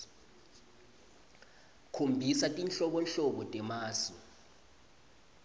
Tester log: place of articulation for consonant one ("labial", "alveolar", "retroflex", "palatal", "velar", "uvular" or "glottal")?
velar